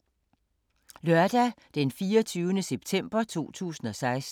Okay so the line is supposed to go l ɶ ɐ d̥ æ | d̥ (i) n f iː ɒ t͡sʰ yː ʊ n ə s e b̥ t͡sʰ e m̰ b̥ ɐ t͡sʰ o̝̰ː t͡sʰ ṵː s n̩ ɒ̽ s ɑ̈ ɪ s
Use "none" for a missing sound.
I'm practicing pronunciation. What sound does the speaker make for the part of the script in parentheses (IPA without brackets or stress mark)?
e